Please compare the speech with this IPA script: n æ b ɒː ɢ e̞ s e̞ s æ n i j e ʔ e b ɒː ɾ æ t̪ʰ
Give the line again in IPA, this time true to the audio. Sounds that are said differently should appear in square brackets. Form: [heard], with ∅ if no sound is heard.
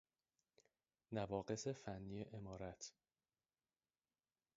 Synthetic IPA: n æ [v] ɒː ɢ e̞ s e̞ [f] æ [nː] i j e ʔ e [m] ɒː ɾ æ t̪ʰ